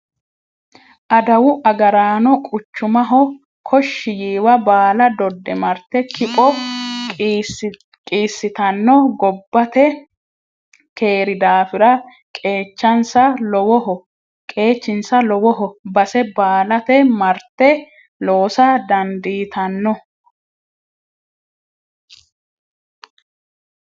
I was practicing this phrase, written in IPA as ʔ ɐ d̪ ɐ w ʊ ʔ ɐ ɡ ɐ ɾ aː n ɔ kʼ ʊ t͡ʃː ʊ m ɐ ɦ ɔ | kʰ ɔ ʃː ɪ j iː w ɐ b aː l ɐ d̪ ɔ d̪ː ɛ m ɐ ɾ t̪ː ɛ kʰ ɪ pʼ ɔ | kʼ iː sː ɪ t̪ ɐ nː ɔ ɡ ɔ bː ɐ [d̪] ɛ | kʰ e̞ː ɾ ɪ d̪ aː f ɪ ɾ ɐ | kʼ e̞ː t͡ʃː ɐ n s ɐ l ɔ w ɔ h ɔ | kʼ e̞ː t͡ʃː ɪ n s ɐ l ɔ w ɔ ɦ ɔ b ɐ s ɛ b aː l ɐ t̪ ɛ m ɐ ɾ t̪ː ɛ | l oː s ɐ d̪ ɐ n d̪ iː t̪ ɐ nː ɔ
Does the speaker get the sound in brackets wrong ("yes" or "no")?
yes